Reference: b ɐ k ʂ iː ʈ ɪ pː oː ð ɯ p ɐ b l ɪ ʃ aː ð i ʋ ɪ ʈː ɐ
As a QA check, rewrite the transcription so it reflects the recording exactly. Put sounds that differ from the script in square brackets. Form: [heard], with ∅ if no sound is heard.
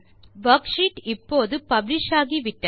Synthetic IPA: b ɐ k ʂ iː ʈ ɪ pː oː ð ɯ p ɐ b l ɪ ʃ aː [ɣ] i ʋ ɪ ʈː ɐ